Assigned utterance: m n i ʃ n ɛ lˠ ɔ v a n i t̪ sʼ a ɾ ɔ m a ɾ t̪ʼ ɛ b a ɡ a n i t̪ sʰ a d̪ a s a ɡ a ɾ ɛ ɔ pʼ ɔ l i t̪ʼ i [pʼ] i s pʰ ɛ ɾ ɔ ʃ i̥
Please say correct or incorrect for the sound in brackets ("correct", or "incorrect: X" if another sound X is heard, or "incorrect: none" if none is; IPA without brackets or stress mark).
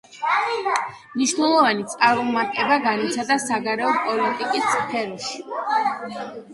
incorrect: kʼ